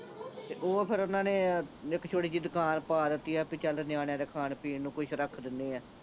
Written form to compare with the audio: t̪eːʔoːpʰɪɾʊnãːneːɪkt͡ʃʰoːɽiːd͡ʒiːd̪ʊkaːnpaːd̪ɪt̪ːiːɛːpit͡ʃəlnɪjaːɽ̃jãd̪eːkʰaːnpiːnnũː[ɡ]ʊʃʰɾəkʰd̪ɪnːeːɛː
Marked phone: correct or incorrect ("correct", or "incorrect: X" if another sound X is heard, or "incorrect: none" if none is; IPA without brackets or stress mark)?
incorrect: k